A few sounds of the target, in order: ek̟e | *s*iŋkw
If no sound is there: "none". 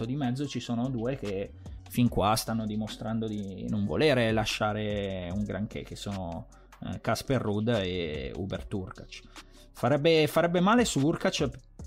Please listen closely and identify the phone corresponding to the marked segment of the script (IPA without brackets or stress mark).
f